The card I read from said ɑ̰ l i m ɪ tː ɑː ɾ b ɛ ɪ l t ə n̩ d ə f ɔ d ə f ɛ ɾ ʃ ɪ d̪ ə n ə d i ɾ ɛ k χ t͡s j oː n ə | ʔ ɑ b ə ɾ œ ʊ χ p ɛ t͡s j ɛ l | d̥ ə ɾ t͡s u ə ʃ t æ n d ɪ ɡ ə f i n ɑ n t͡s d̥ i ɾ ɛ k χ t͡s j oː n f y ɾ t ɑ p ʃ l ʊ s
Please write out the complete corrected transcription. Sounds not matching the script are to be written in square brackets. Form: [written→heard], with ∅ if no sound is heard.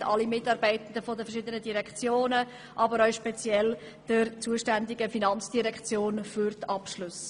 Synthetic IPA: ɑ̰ l i m ɪ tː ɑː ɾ b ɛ ɪ [l→∅] t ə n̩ d ə f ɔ d ə f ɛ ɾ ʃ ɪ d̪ ə n ə d i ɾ ɛ k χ t͡s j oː n ə | ʔ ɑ b ə ɾ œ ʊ [χ→ʃ] p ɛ t͡s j ɛ l | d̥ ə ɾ t͡s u ə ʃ t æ n d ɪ ɡ ə f i n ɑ n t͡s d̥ i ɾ ɛ k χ t͡s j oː n f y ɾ t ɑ p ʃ l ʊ s